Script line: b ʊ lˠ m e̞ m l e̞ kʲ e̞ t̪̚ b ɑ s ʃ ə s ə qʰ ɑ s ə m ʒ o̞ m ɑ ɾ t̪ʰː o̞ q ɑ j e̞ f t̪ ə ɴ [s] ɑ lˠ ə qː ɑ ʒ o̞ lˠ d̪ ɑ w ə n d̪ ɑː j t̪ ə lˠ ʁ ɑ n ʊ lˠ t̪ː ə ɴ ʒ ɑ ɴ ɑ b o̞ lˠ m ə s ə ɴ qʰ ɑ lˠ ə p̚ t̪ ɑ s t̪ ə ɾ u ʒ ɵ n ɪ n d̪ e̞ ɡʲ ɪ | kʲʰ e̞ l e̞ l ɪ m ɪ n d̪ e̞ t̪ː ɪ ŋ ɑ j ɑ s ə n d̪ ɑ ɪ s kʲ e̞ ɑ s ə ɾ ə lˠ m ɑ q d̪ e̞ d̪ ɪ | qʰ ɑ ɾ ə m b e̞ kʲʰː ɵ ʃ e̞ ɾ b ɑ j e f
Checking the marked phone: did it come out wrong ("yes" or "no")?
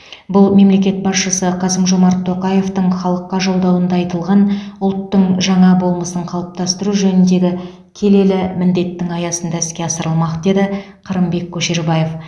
yes